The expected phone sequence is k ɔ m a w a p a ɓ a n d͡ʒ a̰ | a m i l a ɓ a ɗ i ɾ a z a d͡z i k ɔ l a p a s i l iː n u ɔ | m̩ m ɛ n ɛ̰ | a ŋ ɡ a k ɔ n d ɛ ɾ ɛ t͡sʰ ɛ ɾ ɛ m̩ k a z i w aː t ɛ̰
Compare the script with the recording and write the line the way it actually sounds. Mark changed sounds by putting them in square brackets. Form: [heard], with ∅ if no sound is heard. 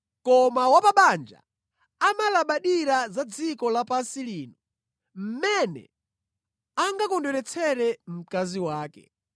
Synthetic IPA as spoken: k ɔ m a w a p a ɓ a n d͡ʒ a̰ | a m [a] l a ɓ a ɗ i ɾ a z a d͡z i k ɔ l a p a s i l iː n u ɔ | m̩ m ɛ n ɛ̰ | a ŋ ɡ a k ɔ n d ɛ ɾ ɛ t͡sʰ ɛ ɾ ɛ m̩ k a z i w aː [k] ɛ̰